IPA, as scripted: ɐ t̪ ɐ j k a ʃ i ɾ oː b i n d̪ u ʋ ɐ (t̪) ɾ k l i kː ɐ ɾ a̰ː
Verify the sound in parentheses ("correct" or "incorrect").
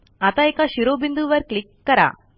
incorrect